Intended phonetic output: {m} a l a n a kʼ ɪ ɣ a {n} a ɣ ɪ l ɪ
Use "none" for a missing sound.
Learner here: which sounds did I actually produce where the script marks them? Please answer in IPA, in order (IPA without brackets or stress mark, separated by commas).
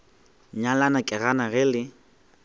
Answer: ɲ, n